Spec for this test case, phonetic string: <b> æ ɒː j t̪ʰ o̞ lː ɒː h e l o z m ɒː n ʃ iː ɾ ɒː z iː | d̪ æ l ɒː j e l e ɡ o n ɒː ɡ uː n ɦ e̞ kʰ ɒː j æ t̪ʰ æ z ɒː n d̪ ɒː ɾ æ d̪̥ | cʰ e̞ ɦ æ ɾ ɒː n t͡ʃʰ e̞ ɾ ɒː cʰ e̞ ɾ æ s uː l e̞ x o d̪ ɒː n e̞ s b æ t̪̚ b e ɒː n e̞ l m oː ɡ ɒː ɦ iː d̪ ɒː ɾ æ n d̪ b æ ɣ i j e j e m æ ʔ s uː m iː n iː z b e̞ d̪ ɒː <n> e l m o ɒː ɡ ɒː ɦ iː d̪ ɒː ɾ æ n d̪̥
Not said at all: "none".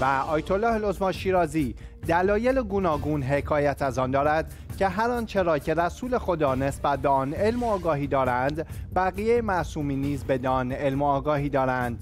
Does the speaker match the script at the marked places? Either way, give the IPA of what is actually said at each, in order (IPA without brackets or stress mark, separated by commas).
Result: v, n